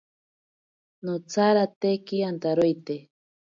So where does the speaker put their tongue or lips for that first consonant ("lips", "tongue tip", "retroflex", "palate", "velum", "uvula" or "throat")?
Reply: tongue tip